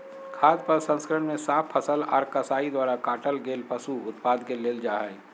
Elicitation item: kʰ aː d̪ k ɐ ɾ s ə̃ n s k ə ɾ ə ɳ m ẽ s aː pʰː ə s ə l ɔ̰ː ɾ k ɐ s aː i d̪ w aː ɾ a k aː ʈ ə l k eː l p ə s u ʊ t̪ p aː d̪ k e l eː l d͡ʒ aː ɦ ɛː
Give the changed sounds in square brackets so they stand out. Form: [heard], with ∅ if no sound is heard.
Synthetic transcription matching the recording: kʰ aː d̪ [p] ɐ ɾ s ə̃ n s k ə ɾ ə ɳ m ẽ s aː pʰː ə s ə l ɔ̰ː ɾ k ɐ s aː i d̪ w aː ɾ a k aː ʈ ə l [ɡ] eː l p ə s u ʊ t̪ p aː d̪ k e l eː l d͡ʒ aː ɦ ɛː